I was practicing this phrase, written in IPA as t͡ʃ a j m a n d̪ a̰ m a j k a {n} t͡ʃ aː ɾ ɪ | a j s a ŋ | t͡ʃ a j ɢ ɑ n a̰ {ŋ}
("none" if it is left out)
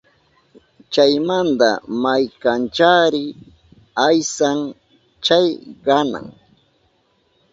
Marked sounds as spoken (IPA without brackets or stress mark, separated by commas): n, ŋ